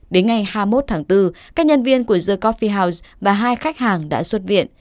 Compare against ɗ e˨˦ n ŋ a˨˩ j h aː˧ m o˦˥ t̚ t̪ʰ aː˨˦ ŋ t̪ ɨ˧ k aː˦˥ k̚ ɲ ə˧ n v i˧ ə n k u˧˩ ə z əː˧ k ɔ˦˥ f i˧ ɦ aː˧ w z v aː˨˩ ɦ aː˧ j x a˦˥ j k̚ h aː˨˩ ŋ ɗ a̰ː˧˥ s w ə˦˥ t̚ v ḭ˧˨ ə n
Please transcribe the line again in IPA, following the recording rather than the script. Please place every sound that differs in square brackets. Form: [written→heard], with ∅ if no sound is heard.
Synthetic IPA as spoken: ɗ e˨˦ n ŋ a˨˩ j h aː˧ m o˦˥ t̚ t̪ʰ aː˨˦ ŋ t̪ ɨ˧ k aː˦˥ k̚ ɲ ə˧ n v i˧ ə n k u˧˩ ə z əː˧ k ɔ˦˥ f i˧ ɦ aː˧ w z v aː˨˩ ɦ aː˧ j x a˦˥ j k̚ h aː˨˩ ŋ ɗ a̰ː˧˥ s w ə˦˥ t̚ v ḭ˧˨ ə n